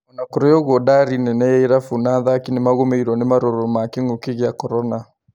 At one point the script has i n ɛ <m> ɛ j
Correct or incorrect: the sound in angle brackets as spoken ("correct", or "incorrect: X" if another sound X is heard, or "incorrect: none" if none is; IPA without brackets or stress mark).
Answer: incorrect: n